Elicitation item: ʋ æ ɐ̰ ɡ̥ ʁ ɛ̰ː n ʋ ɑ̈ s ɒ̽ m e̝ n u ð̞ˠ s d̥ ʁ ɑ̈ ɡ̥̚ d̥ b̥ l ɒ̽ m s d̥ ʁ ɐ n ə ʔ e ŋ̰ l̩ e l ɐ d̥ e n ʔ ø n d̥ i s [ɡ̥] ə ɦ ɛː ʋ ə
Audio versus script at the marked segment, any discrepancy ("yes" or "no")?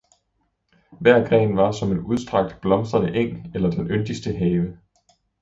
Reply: yes